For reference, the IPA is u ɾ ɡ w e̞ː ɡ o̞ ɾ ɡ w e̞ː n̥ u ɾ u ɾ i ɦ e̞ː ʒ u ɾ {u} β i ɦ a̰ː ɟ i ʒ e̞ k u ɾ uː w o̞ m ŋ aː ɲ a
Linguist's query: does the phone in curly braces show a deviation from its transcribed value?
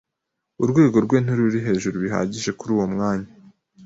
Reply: no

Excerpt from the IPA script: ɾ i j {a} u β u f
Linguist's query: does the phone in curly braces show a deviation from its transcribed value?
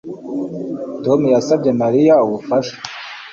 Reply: no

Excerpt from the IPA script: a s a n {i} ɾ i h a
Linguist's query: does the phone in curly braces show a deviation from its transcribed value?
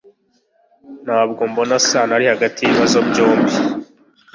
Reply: yes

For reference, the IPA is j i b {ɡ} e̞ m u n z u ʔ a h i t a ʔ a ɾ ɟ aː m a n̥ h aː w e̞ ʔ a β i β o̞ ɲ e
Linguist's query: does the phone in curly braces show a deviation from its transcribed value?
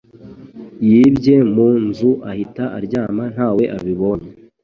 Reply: yes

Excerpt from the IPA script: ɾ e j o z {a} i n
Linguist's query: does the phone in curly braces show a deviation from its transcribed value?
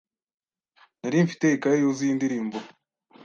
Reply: yes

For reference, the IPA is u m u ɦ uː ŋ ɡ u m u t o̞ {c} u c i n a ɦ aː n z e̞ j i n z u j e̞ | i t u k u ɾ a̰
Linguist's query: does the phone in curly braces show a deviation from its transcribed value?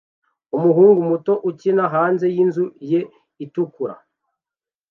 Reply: yes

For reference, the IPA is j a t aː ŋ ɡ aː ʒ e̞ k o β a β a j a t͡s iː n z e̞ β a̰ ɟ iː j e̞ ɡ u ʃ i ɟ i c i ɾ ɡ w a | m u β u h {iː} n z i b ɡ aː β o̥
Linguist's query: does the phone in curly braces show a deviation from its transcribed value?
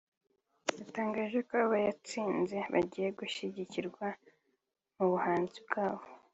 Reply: yes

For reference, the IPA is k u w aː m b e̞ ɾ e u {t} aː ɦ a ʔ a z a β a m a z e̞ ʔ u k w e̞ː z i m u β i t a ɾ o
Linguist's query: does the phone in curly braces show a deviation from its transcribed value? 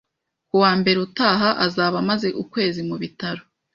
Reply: no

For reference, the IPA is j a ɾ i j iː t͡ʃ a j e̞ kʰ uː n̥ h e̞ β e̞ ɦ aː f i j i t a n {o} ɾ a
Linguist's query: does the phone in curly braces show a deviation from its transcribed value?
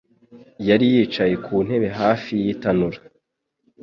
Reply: yes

